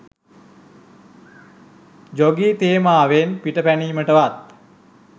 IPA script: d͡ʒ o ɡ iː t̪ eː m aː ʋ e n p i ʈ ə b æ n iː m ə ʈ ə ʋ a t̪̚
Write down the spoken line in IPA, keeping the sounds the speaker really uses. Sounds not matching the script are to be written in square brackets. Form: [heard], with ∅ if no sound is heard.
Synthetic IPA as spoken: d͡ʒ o ɡ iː t̪ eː m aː ʋ e n p i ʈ ə [p] æ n iː m ə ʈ ə ʋ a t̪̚